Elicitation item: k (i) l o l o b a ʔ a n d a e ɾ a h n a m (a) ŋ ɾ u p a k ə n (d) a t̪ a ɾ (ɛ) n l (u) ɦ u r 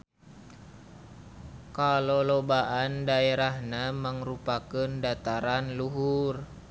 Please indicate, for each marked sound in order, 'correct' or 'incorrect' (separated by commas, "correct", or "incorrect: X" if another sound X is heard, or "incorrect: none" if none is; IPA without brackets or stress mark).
incorrect: a, incorrect: ə, correct, incorrect: a, correct